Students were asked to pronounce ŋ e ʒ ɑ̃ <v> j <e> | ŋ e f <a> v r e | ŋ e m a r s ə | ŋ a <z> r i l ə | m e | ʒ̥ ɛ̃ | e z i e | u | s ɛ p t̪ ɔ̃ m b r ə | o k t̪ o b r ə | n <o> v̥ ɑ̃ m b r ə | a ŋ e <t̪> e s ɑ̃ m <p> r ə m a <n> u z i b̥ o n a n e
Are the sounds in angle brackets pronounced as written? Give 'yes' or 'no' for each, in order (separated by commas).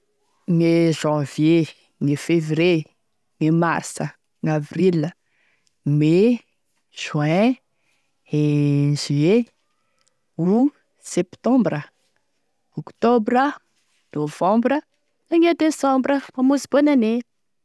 yes, yes, no, no, yes, no, no, no